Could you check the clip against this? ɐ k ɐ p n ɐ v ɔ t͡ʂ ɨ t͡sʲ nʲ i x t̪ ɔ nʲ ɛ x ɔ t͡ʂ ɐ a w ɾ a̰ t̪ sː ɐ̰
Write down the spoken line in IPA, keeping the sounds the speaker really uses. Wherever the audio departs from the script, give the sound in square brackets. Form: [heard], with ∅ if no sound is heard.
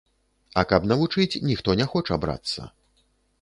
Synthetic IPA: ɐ k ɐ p n ɐ v [u] t͡ʂ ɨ t͡sʲ nʲ i x t̪ ɔ nʲ ɛ x ɔ t͡ʂ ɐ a [b] ɾ a̰ t̪ sː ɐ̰